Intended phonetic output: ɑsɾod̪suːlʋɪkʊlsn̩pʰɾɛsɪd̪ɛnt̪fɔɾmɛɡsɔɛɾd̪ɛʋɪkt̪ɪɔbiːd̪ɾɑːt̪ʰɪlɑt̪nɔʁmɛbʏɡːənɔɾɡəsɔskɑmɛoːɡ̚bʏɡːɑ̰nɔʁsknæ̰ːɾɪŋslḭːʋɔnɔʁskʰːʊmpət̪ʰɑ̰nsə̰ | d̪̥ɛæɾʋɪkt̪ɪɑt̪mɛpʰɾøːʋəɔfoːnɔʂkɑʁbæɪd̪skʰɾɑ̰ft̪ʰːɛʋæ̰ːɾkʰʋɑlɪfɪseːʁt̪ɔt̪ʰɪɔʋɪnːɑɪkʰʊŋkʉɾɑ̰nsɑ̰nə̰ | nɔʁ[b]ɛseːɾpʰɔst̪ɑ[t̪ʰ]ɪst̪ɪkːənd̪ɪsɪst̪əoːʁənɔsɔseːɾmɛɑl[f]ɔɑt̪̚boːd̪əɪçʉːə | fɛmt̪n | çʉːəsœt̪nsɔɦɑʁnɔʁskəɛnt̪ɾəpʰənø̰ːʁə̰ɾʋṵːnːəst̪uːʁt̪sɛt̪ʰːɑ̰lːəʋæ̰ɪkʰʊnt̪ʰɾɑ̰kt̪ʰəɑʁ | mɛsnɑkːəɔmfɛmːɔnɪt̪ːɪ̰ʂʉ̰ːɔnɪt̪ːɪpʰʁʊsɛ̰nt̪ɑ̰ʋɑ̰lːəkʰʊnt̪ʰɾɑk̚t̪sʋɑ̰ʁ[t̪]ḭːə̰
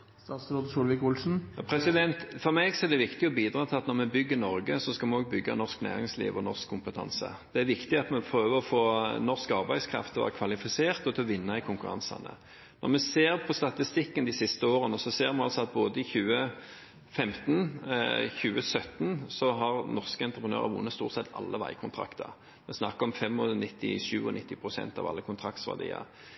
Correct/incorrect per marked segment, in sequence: incorrect, incorrect, incorrect, incorrect

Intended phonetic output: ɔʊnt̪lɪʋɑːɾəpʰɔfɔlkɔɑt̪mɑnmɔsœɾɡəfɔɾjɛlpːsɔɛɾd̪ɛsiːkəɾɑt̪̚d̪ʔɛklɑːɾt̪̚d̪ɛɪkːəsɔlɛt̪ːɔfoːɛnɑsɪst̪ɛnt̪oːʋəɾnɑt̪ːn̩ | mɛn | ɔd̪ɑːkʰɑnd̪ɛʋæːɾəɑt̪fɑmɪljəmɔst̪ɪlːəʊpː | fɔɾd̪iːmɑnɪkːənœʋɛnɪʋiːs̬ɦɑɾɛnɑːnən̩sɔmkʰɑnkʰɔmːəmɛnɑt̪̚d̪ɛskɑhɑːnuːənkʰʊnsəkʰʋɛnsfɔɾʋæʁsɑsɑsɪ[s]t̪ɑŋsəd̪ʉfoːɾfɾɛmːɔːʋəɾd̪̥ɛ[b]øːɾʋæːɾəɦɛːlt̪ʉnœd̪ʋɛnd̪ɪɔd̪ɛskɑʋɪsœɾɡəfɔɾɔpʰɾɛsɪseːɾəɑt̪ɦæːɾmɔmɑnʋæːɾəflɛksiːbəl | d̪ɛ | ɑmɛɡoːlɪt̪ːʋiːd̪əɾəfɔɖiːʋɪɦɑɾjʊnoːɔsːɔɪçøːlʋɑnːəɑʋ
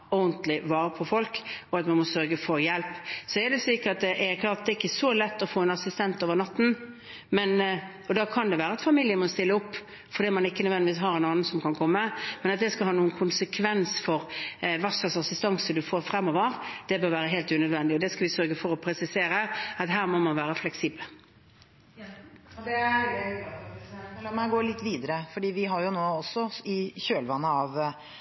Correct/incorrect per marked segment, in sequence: correct, correct

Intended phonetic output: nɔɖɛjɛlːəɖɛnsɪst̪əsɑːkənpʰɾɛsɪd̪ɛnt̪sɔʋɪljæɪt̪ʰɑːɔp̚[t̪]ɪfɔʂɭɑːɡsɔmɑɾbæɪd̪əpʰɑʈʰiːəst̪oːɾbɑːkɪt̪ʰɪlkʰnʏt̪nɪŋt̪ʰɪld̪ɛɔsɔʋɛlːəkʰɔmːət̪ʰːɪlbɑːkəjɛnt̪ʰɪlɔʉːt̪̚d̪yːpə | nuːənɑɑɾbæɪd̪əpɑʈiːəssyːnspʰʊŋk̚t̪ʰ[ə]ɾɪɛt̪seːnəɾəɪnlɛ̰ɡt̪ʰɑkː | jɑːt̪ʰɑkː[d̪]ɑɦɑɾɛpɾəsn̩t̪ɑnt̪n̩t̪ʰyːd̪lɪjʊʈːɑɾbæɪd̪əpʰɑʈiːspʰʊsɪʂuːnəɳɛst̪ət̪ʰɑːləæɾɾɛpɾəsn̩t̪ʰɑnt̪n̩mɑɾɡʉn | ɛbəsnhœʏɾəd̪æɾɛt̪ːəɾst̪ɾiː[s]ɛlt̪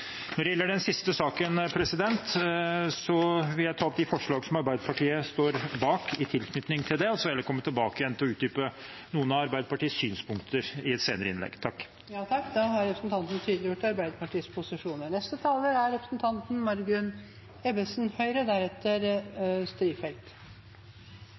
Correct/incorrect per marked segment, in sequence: incorrect, correct, correct, incorrect

